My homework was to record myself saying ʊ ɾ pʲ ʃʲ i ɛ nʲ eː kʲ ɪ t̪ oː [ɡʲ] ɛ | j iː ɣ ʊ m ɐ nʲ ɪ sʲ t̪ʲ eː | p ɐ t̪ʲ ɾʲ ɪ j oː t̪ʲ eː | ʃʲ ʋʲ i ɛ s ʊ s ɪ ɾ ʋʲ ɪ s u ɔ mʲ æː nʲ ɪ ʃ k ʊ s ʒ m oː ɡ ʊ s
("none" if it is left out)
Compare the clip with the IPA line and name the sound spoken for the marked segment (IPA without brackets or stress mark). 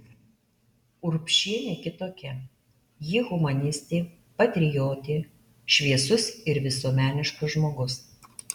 kʲ